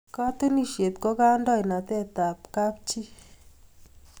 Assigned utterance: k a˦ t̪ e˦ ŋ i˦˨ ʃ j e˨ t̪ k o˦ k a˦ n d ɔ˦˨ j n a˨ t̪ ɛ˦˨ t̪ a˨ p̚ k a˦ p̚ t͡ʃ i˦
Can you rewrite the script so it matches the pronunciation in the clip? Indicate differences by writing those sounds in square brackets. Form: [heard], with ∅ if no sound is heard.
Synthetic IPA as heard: k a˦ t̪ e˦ [n] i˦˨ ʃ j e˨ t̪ k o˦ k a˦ n d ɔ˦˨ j n a˨ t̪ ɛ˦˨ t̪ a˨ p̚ k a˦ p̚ t͡ʃ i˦